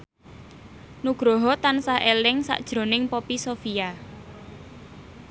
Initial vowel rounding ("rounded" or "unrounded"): rounded